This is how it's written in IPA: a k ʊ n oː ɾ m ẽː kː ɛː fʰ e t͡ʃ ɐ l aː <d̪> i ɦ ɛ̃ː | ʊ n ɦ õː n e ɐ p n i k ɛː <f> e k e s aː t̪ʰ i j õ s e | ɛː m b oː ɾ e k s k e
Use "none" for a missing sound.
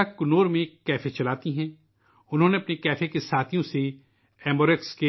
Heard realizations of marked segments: t̪, f

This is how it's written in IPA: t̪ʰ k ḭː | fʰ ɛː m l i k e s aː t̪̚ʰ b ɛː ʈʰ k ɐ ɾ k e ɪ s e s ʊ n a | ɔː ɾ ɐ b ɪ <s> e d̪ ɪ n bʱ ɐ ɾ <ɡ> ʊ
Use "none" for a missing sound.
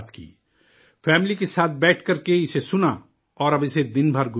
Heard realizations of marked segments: s, ɡ

